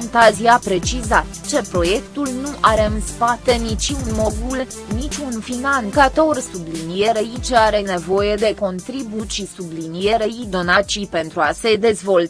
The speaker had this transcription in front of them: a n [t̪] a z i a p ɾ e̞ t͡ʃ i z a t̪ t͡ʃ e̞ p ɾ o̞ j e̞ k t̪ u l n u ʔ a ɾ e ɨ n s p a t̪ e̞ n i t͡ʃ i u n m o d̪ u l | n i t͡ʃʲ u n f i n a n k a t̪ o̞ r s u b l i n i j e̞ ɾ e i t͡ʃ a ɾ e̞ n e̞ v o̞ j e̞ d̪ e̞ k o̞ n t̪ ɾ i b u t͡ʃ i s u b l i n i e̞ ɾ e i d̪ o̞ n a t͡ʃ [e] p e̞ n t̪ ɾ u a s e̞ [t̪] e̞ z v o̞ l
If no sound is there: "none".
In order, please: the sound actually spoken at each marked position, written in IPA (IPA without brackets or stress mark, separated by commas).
t̪, i, d̪